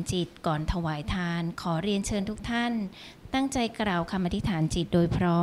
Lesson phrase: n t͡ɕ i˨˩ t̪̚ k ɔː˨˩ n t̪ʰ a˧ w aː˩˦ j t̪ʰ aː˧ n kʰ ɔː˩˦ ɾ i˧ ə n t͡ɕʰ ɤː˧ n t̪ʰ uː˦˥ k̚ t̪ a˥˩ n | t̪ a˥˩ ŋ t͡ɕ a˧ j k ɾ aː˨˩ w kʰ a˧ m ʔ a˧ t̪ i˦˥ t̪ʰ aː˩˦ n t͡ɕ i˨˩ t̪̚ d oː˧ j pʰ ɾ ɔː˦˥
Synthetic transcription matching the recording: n t͡ɕ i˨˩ t̪̚ k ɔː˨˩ n t̪ʰ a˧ w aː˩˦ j t̪ʰ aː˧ n kʰ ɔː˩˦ ɾ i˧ ə n t͡ɕʰ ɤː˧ n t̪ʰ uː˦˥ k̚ t̪ʰ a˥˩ n | t̪ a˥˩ ŋ t͡ɕ a˧ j k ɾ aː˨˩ w kʰ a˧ m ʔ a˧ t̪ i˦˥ t̪ʰ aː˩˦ n t͡ɕ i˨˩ t̪̚ d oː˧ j pʰ ɾ ɔː˦˥